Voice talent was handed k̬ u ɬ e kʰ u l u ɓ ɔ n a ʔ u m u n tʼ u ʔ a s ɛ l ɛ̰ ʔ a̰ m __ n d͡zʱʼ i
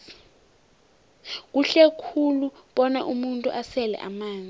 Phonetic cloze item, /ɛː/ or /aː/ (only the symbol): aː